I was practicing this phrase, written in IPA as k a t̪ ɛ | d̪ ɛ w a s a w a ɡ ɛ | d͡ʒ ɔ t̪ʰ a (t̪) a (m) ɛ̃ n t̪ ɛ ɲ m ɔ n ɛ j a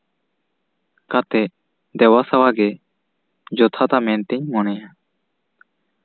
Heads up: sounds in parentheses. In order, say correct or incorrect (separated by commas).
correct, correct